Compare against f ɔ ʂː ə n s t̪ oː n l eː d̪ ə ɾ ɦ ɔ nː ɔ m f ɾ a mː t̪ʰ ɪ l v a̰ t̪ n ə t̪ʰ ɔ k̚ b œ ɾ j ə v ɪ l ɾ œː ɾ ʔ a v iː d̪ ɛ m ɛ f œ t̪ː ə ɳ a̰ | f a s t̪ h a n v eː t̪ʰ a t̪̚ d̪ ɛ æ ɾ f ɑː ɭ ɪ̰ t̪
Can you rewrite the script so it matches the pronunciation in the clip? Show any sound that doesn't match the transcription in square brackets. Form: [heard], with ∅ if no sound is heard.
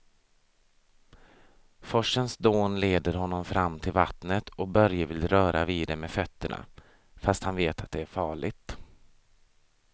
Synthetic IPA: f ɔ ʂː ə n s [d̪] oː n l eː d̪ ə ɾ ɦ ɔ nː ɔ m f ɾ a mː t̪ʰ ɪ l v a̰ t̪ n ə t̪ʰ ɔ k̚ b œ ɾ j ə v ɪ l ɾ œː ɾ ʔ a v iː d̪ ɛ m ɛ f œ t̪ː ə ɳ a̰ | f a s t̪ h a n v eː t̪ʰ a t̪̚ d̪ ɛ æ ɾ f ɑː ɭ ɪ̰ t̪